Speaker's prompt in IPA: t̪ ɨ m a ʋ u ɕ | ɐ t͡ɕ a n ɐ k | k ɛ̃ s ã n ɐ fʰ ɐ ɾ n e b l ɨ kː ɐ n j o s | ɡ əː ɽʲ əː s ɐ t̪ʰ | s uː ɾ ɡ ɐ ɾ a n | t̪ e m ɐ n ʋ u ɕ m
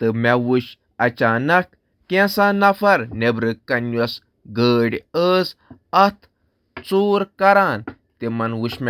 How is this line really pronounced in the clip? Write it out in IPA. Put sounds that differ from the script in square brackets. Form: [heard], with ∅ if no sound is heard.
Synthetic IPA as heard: t̪ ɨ m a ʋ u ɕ | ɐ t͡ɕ a n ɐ k | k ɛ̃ s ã n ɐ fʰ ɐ ɾ n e b [ɾ] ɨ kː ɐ n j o s | ɡ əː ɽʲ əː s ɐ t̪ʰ | [t͡s] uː ɾ [k] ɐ ɾ a n | t̪ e m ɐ n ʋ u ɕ m